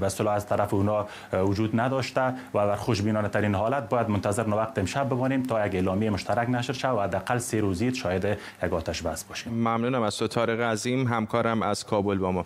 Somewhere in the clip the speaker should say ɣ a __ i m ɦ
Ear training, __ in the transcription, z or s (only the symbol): z